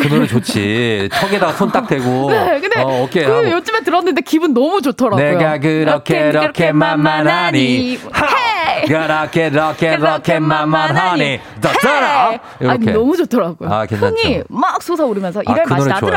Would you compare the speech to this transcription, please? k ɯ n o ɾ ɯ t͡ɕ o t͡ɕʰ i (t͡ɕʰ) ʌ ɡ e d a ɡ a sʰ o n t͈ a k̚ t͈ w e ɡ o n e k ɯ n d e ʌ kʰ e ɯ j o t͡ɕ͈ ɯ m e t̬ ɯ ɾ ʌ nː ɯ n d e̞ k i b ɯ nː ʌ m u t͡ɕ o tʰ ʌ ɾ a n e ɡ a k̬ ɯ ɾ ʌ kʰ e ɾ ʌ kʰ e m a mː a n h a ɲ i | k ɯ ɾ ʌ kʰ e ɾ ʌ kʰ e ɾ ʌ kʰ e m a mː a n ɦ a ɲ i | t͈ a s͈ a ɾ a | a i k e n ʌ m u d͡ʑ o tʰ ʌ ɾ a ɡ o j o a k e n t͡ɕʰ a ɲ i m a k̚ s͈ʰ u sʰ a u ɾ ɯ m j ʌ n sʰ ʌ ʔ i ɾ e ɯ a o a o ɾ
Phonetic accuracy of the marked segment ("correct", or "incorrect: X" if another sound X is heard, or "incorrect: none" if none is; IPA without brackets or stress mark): correct